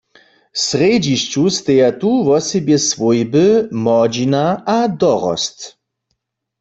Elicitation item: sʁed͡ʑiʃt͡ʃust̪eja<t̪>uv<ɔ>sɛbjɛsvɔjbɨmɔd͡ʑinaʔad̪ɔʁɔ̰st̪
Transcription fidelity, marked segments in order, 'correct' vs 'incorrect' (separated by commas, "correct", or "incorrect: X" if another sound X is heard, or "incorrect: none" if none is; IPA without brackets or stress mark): correct, correct